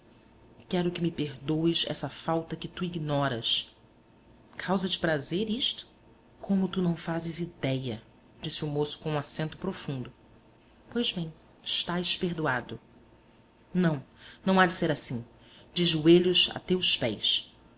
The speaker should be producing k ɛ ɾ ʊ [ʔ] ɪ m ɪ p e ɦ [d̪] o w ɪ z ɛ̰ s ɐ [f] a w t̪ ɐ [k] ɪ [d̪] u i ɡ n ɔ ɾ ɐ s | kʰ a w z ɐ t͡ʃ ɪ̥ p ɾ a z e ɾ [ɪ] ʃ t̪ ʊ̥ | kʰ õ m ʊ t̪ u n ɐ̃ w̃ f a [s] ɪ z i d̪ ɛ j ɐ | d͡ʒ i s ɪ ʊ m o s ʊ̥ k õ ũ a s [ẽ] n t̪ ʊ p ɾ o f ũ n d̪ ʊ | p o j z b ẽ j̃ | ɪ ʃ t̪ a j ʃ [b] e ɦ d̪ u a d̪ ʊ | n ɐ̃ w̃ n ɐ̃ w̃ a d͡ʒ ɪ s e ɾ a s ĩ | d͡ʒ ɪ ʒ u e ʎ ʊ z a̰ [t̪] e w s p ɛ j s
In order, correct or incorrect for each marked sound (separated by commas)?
incorrect, correct, correct, correct, incorrect, incorrect, incorrect, correct, incorrect, correct